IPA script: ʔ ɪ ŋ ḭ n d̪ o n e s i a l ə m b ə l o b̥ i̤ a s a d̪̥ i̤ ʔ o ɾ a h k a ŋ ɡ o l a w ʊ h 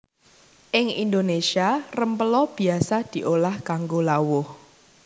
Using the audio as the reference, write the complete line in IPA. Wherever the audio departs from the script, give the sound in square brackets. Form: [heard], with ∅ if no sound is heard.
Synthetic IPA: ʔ ɪ ŋ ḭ n d̪ o n e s i a [r] ə m [p] ə l [ɔ] b̥ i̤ a s a d̪̥ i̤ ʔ o [l] a h k a ŋ ɡ o l a w ʊ h